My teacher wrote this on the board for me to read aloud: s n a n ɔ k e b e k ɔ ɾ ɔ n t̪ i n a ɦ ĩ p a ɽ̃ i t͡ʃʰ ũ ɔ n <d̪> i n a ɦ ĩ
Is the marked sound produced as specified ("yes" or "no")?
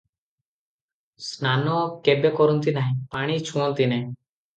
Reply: no